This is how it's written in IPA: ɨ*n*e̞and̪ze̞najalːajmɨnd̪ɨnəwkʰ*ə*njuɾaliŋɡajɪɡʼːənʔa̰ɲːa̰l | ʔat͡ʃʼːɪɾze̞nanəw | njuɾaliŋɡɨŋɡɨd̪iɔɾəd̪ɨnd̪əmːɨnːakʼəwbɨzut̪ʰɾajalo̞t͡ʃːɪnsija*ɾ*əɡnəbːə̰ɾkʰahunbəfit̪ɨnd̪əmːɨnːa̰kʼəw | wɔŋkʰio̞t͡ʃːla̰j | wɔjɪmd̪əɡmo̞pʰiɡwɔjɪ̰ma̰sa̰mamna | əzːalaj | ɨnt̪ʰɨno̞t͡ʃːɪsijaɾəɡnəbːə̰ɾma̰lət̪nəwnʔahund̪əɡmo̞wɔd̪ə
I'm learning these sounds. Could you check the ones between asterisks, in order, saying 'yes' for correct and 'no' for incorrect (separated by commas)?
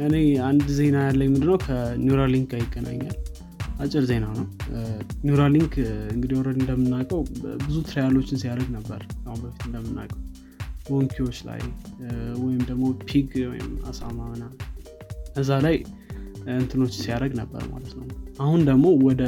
yes, yes, yes